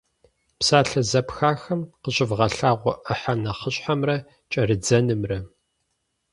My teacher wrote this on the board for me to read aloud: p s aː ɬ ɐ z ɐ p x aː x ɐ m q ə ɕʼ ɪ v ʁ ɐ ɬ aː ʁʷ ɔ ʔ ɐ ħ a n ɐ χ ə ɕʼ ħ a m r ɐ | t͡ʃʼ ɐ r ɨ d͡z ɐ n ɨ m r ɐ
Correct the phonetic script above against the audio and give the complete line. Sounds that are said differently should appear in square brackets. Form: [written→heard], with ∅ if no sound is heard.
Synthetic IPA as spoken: p s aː ɬ ɐ z ɐ p x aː x ɐ m q ə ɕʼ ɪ v ʁ ɐ ɬ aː ʁʷ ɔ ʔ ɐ ħ a n ɐ χ ə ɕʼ ħ a m r ɐ | t͡ʃʼ ɐ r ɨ d͡z ɐ n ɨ m r ɐ